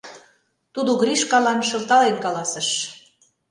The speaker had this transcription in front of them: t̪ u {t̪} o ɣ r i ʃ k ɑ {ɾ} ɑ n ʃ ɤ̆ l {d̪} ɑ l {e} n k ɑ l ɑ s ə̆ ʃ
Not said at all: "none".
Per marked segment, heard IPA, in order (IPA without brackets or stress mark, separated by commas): d̪, l, t̪, e